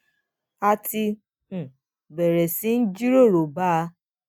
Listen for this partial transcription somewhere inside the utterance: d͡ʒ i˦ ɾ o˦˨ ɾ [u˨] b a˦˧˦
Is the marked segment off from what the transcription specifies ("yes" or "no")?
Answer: yes